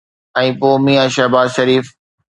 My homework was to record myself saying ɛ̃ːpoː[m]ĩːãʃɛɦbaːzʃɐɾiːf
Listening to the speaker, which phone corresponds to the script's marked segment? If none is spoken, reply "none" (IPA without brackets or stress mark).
m